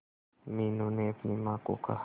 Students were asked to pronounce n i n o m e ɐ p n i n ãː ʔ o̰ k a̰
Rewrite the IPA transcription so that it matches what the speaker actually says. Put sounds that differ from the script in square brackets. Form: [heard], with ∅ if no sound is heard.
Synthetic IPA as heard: [m] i n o [n] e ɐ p n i [m] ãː [k] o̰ k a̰